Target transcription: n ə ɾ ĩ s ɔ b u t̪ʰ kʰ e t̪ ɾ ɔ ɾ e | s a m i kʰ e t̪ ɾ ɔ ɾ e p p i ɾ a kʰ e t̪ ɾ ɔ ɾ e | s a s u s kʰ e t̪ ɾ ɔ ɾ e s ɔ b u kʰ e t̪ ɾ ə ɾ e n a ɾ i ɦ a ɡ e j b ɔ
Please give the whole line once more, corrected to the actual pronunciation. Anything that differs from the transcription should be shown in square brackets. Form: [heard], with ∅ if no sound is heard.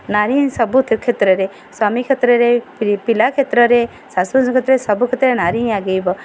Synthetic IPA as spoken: n [a] ɾ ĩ s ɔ b u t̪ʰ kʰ e t̪ ɾ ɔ ɾ e | s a m i kʰ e t̪ ɾ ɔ ɾ e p p i [l] a kʰ e t̪ ɾ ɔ ɾ e | s a s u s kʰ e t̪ ɾ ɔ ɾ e s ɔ b u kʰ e t̪ ɾ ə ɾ e n a ɾ i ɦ a ɡ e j b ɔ